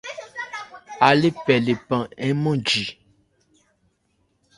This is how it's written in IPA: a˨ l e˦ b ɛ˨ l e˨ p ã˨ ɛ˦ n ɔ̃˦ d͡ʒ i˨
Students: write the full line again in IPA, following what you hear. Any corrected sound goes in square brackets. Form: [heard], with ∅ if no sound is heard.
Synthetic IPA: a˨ l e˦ [p] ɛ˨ l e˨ p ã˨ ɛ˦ [m] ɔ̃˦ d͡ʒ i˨